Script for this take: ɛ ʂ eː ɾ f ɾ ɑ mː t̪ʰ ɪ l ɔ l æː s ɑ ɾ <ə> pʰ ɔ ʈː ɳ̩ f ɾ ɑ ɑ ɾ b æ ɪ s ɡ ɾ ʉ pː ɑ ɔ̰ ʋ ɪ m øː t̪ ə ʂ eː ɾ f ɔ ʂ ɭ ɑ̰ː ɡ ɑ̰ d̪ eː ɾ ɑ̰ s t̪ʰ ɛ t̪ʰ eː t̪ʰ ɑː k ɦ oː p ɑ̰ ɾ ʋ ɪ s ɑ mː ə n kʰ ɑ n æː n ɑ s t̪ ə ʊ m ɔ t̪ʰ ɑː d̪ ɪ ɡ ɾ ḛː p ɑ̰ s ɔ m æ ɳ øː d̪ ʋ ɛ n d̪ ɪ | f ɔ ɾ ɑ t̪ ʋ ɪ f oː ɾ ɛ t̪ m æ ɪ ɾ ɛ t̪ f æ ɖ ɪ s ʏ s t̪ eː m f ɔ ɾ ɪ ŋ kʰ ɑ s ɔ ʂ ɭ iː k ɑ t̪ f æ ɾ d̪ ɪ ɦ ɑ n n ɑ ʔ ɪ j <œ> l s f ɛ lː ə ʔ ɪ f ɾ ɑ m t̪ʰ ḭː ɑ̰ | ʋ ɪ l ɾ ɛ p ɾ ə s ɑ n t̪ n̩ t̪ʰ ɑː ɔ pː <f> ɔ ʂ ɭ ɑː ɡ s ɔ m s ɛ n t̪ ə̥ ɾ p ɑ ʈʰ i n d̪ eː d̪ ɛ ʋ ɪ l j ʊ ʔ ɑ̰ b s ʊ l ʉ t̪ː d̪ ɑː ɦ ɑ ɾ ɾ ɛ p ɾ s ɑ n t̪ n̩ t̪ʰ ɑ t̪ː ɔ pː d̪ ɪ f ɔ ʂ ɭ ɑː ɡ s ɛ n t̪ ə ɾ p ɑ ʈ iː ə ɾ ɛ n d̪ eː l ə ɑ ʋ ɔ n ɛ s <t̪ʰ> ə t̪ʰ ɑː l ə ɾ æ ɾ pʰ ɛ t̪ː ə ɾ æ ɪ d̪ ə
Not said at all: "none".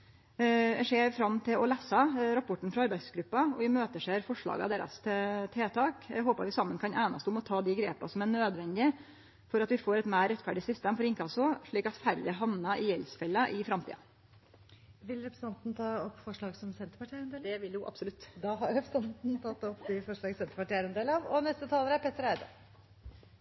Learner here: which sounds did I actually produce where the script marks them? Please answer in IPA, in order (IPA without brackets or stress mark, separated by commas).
ɑ, ɛ, f, t̪